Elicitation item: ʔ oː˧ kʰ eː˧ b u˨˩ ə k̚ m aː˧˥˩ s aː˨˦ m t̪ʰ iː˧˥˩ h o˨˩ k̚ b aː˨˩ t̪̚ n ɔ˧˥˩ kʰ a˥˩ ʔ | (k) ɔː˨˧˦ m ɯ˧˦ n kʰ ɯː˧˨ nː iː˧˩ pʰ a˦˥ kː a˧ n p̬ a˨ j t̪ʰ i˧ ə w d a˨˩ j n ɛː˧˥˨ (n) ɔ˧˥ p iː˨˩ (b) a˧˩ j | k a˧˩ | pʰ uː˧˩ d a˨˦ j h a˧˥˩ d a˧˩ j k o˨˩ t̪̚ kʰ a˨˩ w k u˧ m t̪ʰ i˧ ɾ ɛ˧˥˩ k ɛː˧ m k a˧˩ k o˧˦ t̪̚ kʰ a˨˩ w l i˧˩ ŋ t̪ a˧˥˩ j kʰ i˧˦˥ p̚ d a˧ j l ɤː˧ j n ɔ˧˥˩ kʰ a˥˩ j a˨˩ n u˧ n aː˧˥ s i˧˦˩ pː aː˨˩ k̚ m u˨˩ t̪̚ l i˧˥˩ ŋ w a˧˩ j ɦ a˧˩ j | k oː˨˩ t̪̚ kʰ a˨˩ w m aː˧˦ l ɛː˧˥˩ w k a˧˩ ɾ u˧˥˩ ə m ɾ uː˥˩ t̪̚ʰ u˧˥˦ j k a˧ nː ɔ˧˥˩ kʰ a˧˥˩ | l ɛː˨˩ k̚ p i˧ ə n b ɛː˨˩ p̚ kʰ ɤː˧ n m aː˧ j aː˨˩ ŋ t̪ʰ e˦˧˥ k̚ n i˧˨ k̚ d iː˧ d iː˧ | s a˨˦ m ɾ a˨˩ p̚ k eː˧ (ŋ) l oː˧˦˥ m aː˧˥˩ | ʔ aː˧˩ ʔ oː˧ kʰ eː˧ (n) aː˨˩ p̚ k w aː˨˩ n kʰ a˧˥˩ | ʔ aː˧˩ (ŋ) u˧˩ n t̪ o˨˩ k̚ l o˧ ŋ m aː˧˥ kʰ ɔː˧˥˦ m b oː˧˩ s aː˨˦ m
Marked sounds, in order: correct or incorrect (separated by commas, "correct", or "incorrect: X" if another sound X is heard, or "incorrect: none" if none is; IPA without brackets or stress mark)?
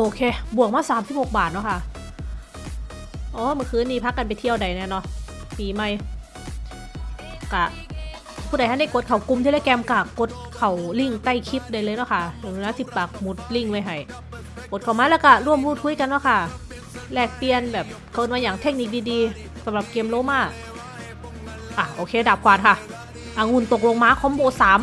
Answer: incorrect: ʔ, correct, incorrect: m, incorrect: m, incorrect: d, correct